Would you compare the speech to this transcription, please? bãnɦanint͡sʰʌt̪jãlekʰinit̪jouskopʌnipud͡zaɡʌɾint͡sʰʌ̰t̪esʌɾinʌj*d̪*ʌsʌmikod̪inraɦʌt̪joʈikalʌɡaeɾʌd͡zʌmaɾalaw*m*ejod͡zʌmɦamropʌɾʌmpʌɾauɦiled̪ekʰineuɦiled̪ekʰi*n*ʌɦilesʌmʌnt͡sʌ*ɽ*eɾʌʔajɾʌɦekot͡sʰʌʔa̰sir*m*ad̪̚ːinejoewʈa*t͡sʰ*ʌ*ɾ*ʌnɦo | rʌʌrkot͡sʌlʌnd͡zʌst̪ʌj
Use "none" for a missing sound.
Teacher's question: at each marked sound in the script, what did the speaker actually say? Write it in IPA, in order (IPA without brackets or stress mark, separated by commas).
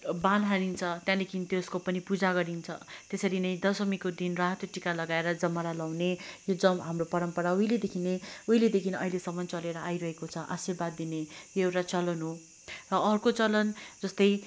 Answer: d̪, n, n, l, b, t͡s, l